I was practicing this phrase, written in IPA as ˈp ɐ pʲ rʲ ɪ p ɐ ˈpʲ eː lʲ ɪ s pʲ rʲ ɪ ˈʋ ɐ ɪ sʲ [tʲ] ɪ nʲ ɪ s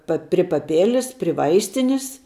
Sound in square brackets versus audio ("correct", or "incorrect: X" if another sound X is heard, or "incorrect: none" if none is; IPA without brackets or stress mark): correct